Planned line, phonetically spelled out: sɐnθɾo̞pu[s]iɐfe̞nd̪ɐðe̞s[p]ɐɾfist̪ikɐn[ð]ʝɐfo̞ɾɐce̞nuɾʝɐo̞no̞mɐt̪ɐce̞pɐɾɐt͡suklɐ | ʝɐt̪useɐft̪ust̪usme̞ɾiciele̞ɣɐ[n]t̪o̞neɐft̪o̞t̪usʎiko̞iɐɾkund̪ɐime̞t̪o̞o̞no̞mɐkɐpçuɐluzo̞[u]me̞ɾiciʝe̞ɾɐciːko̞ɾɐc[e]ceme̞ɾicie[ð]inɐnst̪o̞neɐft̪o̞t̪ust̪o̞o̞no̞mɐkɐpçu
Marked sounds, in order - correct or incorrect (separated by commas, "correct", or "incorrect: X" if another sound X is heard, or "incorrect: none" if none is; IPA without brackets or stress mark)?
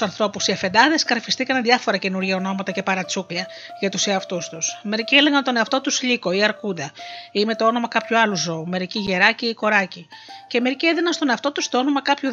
correct, incorrect: k, correct, correct, correct, incorrect: i, correct